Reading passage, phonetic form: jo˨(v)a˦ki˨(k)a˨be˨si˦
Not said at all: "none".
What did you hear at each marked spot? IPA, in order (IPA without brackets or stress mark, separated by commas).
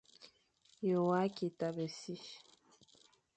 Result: w, t